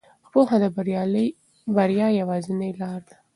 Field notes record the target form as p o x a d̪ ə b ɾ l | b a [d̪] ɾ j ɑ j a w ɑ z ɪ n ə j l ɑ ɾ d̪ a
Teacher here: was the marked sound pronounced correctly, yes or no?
no